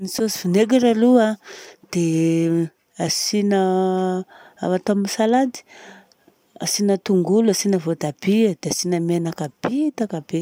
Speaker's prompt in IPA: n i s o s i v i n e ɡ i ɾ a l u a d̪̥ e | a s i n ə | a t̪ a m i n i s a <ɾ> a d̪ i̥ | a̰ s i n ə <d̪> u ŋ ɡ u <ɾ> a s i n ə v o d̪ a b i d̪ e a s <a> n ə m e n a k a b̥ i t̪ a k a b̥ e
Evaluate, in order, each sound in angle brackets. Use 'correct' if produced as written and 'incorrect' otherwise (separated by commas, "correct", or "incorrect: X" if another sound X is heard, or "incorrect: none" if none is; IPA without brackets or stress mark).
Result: incorrect: l, incorrect: t̪, incorrect: l, incorrect: i